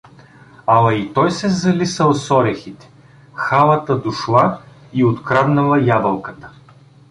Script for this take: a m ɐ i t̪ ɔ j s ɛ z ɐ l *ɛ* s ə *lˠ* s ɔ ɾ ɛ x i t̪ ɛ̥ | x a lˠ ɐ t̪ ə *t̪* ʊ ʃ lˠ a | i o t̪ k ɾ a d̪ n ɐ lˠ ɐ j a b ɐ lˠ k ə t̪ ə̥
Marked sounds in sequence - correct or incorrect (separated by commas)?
incorrect, correct, incorrect